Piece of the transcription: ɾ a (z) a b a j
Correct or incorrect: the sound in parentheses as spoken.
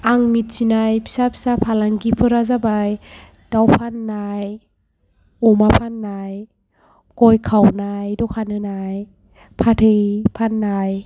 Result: correct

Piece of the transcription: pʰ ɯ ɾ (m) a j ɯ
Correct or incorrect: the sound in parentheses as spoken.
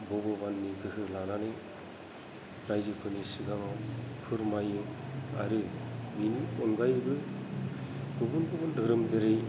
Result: correct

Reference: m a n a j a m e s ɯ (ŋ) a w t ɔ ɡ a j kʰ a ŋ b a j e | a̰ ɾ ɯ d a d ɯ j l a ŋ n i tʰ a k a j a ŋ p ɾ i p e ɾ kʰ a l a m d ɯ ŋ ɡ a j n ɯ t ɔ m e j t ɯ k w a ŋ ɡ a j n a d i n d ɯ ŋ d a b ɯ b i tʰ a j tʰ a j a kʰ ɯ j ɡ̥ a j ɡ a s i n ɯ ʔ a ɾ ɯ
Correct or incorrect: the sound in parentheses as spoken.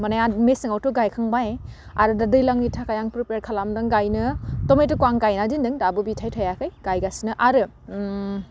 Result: correct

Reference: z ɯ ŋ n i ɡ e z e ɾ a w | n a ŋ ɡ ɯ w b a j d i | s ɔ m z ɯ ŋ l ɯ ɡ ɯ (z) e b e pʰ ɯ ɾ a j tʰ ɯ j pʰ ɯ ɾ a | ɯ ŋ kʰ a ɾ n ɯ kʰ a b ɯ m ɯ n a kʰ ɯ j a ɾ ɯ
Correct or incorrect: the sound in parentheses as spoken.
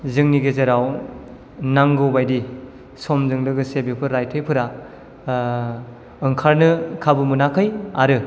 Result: incorrect: s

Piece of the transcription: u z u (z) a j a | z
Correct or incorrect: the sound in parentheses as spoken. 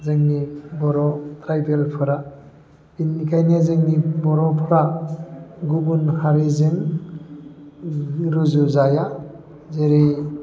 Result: correct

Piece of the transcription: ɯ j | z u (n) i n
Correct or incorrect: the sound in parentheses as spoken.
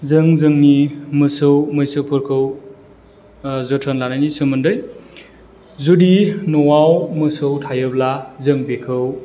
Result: incorrect: d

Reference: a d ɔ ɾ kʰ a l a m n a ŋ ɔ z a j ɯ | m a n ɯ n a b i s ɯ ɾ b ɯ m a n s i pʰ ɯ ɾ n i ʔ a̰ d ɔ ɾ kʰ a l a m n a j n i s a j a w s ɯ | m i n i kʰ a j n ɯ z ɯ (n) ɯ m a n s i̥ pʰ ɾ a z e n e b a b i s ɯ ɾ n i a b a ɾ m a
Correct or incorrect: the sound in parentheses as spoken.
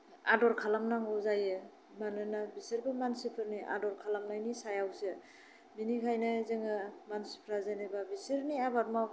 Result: incorrect: ŋ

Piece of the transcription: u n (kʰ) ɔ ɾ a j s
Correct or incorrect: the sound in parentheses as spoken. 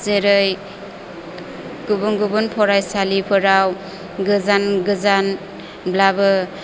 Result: incorrect: pʰ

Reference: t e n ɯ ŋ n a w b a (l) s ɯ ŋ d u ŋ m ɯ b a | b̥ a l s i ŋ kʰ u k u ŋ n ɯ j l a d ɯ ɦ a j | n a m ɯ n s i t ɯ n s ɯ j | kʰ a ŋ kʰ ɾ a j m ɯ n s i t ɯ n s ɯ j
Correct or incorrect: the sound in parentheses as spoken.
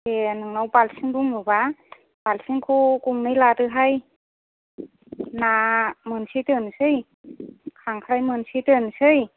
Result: correct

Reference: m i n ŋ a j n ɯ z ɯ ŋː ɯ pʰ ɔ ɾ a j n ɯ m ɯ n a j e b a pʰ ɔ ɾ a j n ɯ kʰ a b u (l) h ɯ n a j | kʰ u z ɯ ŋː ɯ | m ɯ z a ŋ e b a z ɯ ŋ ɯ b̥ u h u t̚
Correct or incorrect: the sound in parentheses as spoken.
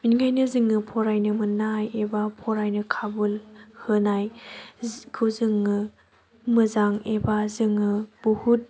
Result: correct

